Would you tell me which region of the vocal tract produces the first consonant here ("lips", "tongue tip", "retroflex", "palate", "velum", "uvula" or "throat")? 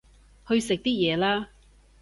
throat